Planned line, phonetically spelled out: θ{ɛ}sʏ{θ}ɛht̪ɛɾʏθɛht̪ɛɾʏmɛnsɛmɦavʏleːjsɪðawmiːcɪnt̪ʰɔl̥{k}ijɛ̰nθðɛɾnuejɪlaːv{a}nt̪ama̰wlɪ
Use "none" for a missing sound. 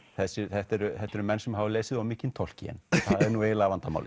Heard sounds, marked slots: ɛ, θ, c, a

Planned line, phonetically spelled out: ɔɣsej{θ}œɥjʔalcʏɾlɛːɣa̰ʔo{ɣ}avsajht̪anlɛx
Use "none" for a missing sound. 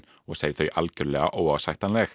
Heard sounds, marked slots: θ, w

